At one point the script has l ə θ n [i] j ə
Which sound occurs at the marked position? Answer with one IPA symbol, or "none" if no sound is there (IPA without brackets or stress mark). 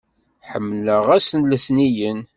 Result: i